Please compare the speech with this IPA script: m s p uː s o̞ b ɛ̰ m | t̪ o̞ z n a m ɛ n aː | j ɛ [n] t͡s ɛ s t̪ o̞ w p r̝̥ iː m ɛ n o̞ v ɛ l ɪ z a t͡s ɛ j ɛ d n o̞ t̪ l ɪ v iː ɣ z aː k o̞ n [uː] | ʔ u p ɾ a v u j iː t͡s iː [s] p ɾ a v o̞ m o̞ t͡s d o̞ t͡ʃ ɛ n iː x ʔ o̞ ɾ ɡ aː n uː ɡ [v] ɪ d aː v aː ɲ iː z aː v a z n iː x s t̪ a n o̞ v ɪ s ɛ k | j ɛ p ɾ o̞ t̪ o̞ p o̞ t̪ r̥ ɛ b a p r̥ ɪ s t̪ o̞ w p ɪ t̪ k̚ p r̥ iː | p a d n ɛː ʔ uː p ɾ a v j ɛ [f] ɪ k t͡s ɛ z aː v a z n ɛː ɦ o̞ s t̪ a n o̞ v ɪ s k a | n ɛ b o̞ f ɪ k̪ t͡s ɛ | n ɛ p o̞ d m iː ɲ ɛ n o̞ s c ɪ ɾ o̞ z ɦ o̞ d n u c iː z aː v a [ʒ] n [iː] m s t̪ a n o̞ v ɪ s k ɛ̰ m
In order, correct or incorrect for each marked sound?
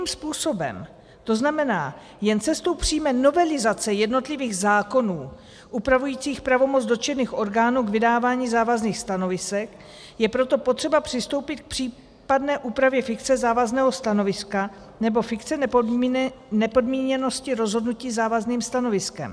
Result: correct, correct, incorrect, correct, correct, incorrect, correct

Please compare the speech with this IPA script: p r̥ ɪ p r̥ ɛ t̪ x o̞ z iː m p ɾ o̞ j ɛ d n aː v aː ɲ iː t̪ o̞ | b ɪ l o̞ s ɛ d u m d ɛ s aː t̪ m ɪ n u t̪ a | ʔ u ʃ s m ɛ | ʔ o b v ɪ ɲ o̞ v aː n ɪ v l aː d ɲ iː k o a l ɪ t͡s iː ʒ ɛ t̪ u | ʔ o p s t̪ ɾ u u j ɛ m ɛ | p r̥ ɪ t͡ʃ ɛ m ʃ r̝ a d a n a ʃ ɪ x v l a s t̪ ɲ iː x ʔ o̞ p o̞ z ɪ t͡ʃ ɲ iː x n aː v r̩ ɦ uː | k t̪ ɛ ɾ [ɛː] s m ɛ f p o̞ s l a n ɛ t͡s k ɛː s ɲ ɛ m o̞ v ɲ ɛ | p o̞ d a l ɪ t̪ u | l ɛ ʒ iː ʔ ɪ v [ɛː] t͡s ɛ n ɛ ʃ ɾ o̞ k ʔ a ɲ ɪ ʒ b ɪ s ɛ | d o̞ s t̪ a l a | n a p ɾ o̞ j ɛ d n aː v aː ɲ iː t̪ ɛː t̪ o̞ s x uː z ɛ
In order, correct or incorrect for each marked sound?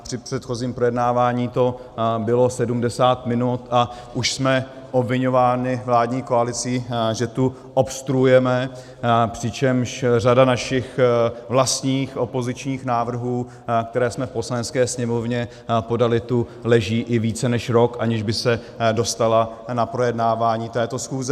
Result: correct, incorrect

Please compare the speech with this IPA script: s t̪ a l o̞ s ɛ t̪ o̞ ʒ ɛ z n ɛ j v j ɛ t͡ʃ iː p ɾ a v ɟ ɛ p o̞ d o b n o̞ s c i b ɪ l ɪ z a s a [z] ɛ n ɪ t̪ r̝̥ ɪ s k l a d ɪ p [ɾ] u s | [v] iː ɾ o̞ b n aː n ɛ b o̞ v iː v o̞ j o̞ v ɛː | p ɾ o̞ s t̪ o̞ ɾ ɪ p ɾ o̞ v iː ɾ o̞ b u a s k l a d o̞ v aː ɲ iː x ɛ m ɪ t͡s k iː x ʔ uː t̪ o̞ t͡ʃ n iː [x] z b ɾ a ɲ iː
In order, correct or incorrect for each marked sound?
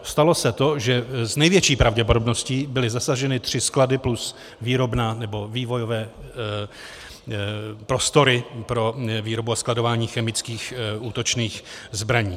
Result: incorrect, incorrect, correct, correct

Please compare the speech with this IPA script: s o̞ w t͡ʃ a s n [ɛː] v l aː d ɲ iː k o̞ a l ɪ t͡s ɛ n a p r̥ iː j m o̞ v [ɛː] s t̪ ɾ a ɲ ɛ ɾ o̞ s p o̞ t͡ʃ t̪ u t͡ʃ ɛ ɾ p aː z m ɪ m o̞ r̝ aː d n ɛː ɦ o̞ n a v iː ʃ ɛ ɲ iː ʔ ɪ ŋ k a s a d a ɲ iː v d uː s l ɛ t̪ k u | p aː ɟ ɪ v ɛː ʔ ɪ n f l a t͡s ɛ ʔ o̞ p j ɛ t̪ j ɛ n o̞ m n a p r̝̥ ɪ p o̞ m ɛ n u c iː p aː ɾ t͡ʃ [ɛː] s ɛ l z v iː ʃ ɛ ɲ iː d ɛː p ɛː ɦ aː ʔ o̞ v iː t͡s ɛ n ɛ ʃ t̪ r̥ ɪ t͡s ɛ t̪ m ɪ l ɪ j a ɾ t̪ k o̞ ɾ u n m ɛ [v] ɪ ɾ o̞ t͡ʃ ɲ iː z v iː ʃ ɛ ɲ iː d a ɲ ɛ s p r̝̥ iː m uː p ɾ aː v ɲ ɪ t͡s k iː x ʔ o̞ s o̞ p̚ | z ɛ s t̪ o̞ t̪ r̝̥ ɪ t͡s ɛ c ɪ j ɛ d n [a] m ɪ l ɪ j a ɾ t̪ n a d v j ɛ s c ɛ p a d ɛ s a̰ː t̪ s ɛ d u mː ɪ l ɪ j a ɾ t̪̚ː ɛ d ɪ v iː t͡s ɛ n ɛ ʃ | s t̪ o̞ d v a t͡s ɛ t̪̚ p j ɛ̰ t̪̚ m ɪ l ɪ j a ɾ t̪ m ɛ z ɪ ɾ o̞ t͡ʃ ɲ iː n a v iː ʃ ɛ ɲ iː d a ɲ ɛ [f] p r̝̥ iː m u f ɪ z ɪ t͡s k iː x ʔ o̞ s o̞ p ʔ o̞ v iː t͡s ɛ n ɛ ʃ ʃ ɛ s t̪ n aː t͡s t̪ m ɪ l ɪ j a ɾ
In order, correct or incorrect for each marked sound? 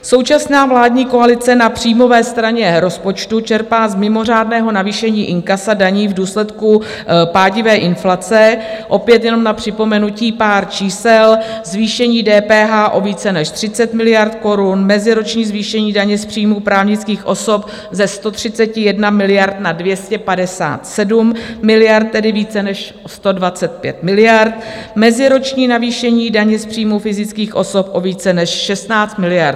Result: incorrect, correct, incorrect, incorrect, correct, incorrect

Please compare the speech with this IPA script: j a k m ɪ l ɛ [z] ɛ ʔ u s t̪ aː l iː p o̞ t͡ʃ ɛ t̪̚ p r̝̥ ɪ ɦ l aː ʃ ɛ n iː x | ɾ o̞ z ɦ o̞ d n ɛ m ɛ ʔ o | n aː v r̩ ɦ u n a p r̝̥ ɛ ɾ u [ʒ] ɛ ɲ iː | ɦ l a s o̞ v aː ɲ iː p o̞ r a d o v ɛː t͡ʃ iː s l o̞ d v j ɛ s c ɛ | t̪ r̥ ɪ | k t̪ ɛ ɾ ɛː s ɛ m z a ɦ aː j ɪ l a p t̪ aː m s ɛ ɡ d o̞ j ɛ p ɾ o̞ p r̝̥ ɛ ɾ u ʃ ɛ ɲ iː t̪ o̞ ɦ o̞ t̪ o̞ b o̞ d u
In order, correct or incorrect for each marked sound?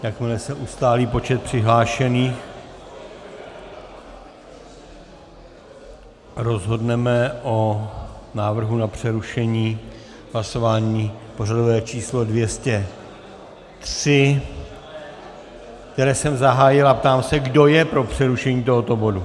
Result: incorrect, incorrect

